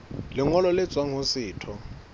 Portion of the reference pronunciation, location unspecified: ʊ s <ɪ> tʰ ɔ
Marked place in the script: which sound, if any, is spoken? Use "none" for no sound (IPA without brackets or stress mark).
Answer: ɪː